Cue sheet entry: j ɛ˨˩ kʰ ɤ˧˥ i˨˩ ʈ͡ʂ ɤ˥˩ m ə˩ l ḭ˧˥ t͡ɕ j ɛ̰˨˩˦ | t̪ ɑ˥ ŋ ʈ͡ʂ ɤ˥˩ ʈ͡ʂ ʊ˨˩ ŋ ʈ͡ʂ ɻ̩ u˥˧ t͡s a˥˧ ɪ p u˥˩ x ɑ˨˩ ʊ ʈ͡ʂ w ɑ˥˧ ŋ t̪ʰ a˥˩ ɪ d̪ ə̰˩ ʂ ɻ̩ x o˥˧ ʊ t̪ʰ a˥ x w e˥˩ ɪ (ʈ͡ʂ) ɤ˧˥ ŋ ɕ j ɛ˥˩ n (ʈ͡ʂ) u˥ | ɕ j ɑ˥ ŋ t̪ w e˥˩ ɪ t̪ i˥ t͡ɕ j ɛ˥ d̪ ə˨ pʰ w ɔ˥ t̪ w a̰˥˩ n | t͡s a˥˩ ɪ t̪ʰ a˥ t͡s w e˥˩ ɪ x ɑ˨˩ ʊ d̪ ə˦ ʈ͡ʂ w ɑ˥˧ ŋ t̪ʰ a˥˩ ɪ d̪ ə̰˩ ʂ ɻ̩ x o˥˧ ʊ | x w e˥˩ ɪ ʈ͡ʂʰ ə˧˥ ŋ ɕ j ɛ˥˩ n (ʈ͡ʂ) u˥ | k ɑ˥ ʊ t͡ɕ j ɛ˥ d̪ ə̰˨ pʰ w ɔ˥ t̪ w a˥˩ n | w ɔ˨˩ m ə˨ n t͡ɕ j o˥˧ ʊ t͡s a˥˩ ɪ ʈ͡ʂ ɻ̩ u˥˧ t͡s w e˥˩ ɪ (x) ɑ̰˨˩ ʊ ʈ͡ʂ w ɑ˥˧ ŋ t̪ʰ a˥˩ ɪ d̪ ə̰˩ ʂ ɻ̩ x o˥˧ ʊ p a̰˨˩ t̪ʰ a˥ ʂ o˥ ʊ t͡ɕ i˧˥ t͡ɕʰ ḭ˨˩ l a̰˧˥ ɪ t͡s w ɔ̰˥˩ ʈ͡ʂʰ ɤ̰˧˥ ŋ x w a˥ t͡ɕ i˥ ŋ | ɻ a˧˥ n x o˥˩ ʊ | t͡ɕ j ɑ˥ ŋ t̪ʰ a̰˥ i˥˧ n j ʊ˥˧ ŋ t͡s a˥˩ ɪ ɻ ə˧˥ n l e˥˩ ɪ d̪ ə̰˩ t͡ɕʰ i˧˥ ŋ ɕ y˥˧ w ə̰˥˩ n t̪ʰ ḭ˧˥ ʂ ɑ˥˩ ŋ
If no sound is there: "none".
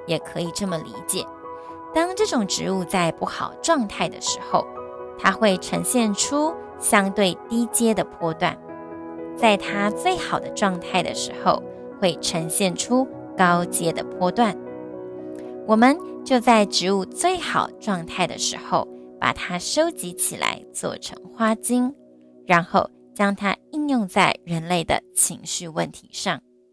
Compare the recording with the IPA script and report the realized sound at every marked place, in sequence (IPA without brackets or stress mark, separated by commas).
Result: ʈ͡ʂʰ, ʈ͡ʂʰ, ʈ͡ʂʰ, x